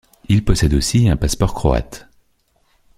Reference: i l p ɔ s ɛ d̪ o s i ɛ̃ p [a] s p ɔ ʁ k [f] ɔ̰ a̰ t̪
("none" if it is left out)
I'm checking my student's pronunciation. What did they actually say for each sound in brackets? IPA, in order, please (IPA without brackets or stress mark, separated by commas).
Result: a, χ